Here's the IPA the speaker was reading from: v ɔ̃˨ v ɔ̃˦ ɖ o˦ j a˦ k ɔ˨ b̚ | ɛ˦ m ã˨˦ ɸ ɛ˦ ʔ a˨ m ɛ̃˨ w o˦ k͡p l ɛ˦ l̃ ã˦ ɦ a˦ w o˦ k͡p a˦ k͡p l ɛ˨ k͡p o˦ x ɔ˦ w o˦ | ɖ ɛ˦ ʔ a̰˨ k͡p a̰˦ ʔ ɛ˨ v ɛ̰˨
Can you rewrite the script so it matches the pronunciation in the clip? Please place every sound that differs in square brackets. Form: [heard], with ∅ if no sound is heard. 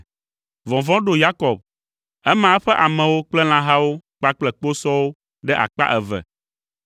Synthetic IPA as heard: v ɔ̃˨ v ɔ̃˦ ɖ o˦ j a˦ k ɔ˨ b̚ | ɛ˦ m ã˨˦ ɸ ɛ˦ ʔ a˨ m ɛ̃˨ w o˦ k͡p l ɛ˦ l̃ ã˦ ɦ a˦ w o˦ k͡p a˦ k͡p l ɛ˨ k͡p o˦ [s] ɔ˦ w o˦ | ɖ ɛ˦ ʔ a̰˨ k͡p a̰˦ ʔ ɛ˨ v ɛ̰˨

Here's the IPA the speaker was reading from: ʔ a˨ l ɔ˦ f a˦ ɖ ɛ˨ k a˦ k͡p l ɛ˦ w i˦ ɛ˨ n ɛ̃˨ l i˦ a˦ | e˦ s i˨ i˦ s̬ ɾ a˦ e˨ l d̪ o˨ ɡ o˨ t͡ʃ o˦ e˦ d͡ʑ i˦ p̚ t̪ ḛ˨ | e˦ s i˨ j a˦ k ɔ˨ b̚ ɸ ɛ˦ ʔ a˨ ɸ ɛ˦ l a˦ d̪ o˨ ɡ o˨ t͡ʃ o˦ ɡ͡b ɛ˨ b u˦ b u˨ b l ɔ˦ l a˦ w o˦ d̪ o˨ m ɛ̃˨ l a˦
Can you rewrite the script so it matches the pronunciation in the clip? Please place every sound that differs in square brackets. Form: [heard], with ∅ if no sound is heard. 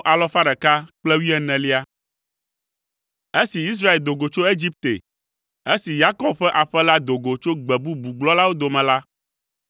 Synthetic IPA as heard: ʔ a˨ l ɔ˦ f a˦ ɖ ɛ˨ k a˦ k͡p l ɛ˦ w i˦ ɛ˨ n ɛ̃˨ l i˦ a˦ | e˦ s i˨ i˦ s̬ ɾ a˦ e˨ l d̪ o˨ ɡ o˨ t͡ʃ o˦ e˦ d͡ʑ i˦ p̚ t̪ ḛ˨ | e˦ s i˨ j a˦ k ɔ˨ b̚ ɸ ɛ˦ ʔ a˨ ɸ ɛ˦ l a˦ d̪ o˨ ɡ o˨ t͡ʃ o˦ ɡ͡b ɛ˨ b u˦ b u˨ [ɡ͡b] l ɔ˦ l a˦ w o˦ d̪ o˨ m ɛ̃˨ l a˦

